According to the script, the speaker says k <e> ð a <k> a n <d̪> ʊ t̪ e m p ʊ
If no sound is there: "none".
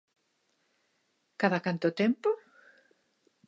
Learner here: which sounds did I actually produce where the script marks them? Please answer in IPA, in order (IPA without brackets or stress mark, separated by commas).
a, k, t̪